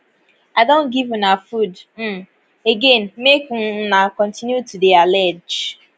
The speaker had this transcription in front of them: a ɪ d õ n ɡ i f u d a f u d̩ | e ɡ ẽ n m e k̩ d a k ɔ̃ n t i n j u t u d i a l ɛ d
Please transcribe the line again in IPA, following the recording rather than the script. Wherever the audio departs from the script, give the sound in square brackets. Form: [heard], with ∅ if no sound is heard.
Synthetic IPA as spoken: a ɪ d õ n ɡ i [v] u [n] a f u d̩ | e ɡ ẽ n m e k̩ [n] a k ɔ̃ n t i n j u t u d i a l ɛ [d͡ʒ]